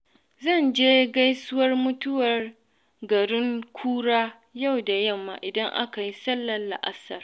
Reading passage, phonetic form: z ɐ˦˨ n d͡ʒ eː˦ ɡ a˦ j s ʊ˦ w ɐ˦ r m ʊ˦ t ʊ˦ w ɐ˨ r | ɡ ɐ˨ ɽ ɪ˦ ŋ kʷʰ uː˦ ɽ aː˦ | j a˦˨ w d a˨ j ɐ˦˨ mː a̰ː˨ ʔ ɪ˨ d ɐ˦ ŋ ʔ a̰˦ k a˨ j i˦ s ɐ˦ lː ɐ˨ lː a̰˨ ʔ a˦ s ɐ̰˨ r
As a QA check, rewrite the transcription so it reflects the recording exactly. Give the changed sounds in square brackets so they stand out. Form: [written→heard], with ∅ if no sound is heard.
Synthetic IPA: z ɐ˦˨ n d͡ʒ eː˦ ɡ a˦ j s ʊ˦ w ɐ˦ r m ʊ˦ t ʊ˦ w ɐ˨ r | ɡ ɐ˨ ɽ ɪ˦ ŋ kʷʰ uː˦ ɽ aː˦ | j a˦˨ w d a˨ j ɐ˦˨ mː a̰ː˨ ʔ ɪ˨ d ɐ˦ ŋ ʔ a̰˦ k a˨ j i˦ s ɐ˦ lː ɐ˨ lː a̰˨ ʔ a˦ s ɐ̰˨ r